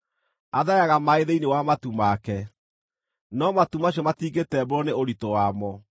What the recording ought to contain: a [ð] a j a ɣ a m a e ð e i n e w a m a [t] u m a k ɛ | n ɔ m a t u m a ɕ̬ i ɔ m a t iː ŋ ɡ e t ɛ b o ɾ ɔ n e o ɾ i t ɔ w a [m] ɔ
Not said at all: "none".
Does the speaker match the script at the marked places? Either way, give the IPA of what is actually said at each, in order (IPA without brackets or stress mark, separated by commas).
ð, t, m